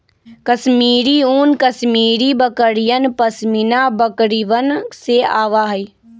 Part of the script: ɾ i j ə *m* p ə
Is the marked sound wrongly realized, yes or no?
yes